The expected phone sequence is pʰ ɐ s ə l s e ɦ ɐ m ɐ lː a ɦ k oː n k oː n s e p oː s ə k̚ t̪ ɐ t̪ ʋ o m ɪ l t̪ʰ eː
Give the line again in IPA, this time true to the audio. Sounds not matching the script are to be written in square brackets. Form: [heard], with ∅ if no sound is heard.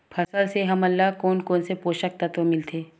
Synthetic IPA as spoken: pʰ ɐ s ə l s e ɦ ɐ m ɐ lː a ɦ k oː n k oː n s e p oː [ʃ] ə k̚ t̪ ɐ t̪ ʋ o m ɪ l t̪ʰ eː